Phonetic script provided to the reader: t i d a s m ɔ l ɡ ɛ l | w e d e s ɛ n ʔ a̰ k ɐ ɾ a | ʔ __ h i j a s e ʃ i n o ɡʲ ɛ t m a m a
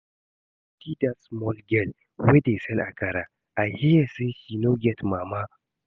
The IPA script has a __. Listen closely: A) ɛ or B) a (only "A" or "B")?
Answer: B